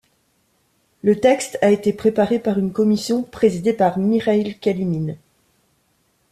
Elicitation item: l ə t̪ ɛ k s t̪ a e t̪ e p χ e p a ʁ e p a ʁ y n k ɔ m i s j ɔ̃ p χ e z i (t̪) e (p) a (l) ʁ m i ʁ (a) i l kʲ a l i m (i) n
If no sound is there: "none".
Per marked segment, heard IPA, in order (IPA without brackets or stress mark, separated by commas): d̪, p, none, a, i